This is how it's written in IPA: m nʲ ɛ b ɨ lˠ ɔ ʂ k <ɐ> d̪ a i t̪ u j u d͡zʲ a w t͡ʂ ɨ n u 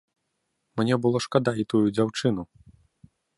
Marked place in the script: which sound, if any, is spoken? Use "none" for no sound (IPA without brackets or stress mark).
a